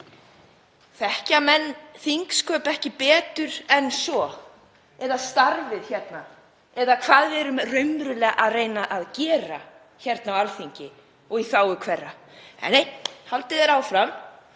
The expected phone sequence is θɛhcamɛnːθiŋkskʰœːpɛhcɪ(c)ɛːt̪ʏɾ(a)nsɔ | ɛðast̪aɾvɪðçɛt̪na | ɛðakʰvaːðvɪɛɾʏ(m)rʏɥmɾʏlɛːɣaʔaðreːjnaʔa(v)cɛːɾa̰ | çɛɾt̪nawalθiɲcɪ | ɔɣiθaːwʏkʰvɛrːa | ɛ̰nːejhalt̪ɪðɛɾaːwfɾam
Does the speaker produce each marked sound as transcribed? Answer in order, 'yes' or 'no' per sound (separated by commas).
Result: no, no, yes, no